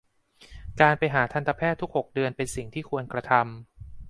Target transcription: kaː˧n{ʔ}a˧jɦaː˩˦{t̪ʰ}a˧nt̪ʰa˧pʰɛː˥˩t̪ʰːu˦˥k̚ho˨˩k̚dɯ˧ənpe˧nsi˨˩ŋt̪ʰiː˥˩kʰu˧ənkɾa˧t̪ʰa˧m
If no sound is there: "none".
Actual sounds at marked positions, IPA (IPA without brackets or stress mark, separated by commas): p, t̪ʰ